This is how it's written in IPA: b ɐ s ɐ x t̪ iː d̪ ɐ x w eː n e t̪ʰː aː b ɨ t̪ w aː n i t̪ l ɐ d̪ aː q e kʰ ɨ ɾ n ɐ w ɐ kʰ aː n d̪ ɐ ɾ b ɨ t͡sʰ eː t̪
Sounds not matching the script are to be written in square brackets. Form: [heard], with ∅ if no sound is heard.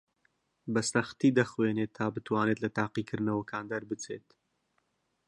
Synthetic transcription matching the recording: b ɐ s ɐ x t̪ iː d̪ ɐ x w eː n e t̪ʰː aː b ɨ t̪ w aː n [e] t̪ l ɐ [t̪] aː q [i] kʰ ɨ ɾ n ɐ w ɐ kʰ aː n d̪ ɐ ɾ b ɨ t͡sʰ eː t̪